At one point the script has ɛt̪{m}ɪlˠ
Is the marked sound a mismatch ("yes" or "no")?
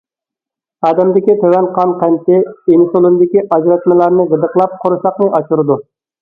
no